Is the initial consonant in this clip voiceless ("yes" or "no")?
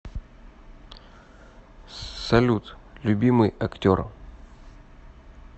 yes